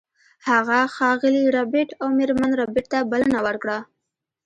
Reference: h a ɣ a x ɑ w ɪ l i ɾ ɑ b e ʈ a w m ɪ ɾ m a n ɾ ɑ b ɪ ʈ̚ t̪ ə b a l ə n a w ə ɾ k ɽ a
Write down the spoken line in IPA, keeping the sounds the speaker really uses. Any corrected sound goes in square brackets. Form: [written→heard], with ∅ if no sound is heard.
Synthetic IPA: h a ɣ a x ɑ [w→ɣ] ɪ l i ɾ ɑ b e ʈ a w m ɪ ɾ m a n ɾ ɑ b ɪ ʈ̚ t̪ [ə→a] b a l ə n a w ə ɾ k ɽ a